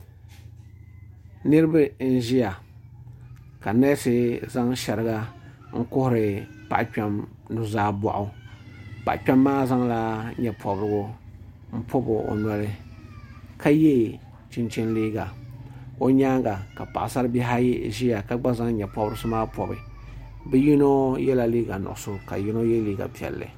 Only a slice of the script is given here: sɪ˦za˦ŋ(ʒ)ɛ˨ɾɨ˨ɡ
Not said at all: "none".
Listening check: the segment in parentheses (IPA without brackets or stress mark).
ʃ